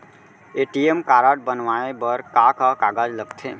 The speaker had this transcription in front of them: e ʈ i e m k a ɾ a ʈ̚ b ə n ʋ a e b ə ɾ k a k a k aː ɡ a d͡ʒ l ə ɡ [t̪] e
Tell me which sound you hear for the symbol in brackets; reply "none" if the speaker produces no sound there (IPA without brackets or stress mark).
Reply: t̪ʰ